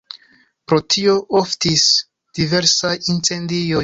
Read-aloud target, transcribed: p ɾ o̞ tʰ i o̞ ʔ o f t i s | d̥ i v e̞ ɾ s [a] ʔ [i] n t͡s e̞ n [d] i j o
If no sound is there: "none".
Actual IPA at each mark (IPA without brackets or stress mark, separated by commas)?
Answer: a, i, d